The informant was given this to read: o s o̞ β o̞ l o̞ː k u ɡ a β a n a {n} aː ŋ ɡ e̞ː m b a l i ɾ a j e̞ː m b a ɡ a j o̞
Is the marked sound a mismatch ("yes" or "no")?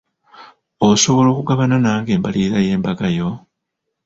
no